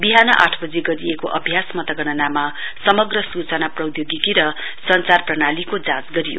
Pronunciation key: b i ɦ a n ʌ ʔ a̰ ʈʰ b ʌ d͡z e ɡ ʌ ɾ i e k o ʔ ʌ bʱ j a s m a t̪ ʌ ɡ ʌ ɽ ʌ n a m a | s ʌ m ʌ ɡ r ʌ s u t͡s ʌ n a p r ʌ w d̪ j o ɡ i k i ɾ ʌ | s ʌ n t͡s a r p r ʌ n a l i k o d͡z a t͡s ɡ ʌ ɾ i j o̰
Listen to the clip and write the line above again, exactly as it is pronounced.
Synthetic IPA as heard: b i ɦ a n ʌ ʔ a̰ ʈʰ b ʌ d͡z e ɡ ʌ ɾ i e k o ʔ ʌ bʱ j a s m ʌ t̪ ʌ ɡ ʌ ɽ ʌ n a m a | s ʌ m ʌ ɡ r ʌ s u t͡s ʌ n a p r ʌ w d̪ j o ɡ i k i ɾ ʌ | s ʌ n t͡s a r p r ʌ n a l i k o d͡z a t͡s ɡ ʌ ɾ i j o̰

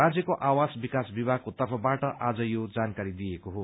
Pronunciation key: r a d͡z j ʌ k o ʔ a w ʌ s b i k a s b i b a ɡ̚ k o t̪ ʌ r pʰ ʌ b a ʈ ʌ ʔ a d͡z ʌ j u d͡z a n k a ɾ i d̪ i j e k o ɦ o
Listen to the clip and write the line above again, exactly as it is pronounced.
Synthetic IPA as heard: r a d͡z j ʌ k o ʔ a w a s b i k a s b i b a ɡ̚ k o t̪ ʌ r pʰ ʌ b a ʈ ʌ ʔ a d͡z ʌ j o d͡z a n k a ɾ i d̪ i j e k o ɦ o

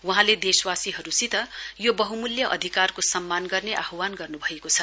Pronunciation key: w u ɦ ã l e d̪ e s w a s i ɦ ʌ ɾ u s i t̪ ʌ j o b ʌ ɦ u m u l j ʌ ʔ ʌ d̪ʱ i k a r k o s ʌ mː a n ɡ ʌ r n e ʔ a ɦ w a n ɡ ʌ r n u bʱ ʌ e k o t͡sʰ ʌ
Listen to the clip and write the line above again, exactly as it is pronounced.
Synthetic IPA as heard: w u ɦ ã l e d̪ e s w a s i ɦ ʌ ɾ u s i t̪ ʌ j o b ʌ ɦ u m u l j ʌ ʔ ʌ d̪ʱ i k a r k o s ʌ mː a n ɡ ʌ r n e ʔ a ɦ w a n ɡ ʌ r n u bʱ ʌ e k o t͡sʰ ʌ

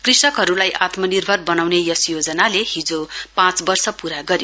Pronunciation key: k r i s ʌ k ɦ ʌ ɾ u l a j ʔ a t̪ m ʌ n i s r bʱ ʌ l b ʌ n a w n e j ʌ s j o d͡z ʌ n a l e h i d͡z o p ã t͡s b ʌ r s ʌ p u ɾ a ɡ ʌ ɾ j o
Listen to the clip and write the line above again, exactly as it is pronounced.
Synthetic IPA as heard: k r i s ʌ k ɦ ʌ ɾ u l a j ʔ a t̪ m ʌ n i r bʱ ʌ r b ʌ n a w n e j ʌ s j o d͡z ʌ n a l e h i d͡z o p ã t͡s b ʌ r s ʌ p u ɾ a ɡ ʌ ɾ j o

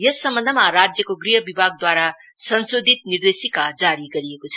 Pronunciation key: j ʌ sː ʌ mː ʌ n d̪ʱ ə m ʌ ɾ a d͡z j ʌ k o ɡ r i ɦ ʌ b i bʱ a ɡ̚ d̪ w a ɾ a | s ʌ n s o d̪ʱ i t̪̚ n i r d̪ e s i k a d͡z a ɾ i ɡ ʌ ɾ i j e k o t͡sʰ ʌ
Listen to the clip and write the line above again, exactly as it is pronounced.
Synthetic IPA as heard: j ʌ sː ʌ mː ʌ n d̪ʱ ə m a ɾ a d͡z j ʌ k o ɡ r i ɦ ʌ b i bʱ a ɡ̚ d̪ w a ɾ a | s ʌ n s o d̪ʱ i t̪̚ n i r d̪ e s i k a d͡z a ɾ i ɡ ʌ ɾ i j e k o t͡sʰ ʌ

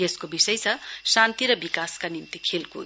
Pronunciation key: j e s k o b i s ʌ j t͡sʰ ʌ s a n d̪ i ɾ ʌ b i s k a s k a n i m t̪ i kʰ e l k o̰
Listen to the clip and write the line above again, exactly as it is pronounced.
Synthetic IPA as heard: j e s k o b i s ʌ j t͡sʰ ʌ s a n t̪ i ɾ ʌ b i k a s k a n i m t̪ i kʰ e l k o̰

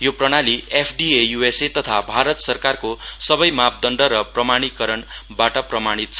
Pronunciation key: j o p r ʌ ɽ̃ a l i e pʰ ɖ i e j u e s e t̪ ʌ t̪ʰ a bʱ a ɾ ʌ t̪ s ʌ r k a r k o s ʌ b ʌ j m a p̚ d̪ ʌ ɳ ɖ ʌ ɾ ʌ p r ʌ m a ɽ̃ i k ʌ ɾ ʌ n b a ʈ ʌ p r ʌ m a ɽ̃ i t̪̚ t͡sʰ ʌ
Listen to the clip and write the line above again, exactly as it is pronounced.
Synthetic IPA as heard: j o p r ʌ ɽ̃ a l i e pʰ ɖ i e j u e s e t̪ ʌ t̪ʰ a bʱ a ɾ ʌ t̪ s ʌ r k a r k o s ʌ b ʌ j m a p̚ d̪ ʌ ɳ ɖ ʌ ɾ ʌ p r ʌ m a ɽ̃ i k ʌ ɾ ʌ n b a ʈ ʌ p r ʌ m a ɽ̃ i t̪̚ t͡sʰ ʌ

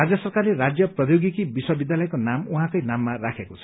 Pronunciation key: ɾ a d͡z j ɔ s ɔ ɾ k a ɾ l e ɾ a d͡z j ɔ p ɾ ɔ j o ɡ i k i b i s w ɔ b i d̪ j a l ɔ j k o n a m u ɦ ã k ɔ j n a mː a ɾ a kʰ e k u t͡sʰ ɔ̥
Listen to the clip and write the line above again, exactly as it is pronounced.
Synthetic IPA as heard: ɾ a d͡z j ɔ s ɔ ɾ k a ɾ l e ɾ a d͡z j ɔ p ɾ ɔ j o ɡ i k i b i s w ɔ b i d̪ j a l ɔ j k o n a m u ɦ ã k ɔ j n a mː a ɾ a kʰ e k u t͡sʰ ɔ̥

